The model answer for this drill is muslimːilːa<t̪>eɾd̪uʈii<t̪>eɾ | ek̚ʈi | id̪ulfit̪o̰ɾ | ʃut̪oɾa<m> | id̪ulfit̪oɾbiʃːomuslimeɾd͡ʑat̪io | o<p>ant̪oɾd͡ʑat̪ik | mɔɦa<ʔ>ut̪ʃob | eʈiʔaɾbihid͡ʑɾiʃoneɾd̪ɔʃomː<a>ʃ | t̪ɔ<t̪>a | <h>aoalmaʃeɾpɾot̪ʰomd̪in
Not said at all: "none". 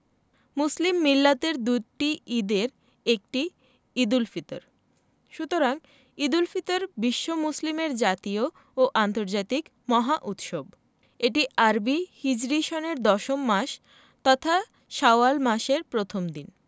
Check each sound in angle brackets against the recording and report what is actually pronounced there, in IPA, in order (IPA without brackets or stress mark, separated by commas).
t̪, d̪, ŋ, ʔ, ʔ, a, t̪ʰ, ʃ